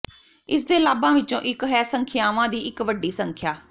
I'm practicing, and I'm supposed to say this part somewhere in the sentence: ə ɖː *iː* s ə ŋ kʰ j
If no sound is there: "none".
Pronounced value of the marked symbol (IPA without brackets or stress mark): iː